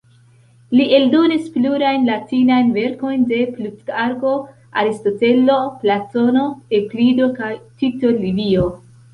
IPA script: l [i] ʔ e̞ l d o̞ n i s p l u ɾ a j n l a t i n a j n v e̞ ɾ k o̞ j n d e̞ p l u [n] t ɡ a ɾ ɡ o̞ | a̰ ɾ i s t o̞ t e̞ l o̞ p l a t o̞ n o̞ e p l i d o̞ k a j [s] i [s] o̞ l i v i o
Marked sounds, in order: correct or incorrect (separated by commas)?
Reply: correct, incorrect, incorrect, incorrect